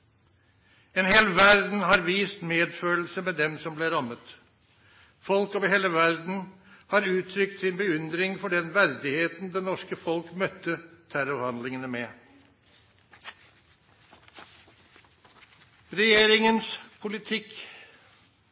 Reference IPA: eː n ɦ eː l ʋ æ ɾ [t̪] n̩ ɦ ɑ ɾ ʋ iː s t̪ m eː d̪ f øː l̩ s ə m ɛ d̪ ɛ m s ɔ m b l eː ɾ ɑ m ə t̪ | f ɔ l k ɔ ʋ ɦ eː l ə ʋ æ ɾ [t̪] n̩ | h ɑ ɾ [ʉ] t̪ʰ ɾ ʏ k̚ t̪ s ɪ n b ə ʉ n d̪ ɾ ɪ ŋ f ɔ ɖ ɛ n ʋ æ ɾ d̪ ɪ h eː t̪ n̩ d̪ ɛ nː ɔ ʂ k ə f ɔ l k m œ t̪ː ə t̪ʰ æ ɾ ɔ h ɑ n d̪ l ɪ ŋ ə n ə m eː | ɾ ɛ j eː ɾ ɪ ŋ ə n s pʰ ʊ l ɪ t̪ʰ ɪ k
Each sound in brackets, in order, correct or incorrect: incorrect: d̪, incorrect: d̪, incorrect: ʉː

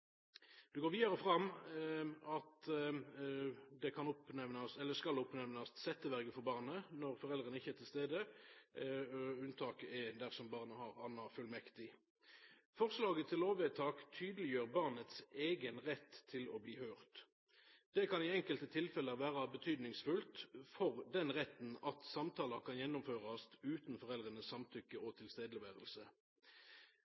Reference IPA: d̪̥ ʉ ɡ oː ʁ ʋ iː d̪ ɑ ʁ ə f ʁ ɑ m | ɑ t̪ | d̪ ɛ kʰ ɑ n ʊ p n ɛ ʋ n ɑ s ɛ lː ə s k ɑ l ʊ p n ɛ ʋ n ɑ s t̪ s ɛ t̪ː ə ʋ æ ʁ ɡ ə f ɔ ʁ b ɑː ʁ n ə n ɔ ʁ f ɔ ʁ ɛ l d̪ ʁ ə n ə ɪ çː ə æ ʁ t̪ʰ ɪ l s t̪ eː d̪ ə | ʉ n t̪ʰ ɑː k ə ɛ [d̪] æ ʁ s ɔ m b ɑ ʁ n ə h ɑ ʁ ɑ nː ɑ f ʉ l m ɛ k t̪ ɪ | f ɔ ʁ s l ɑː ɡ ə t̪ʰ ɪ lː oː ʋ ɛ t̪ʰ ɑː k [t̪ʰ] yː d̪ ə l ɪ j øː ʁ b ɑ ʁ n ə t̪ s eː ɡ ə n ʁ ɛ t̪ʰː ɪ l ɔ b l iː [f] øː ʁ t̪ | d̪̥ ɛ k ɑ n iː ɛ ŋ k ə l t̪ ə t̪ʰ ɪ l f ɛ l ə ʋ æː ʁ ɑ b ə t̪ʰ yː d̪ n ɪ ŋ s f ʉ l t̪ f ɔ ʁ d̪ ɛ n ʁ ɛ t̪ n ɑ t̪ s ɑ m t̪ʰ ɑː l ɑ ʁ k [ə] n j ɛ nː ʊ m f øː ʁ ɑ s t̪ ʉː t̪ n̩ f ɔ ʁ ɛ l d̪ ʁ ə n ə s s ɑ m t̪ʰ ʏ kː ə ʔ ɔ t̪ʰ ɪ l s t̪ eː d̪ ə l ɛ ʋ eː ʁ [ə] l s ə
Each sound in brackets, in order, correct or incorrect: correct, correct, incorrect: h, incorrect: ɑ, correct

